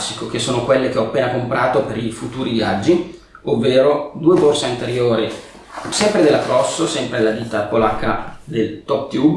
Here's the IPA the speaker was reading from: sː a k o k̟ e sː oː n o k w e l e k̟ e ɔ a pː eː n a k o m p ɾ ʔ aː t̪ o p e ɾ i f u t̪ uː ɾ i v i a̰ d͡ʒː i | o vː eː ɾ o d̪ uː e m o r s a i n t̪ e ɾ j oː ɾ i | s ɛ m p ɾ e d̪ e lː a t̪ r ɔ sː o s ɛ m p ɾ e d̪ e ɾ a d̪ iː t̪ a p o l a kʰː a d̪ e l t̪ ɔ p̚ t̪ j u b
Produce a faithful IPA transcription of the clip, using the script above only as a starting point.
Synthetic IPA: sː i k o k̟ e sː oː n o k w e lː e k̟ e ɔ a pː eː n a k o m p ɾ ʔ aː t̪ o p e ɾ i f u t̪ uː ɾ i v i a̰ d͡ʒː i | o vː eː ɾ o d̪ uː e b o r s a i n t̪ e ɾ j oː ɾ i | s ɛ m p ɾ e d̪ e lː a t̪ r ɔ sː o s ɛ m p ɾ e d̪ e l a d̪ iː t̪ a p o l a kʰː a d̪ e l t̪ ɔ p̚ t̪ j u b